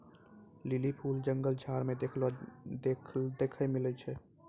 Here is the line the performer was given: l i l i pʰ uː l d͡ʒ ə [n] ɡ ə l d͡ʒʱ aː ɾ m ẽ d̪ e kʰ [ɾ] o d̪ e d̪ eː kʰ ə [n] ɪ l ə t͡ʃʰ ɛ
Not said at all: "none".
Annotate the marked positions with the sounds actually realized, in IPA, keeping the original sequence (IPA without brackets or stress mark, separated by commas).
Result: ŋ, l, m